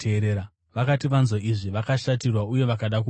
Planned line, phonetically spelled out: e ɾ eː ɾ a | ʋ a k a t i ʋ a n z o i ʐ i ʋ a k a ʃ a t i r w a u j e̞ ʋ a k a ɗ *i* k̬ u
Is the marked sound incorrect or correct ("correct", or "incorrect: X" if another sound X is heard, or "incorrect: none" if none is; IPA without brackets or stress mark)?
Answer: incorrect: a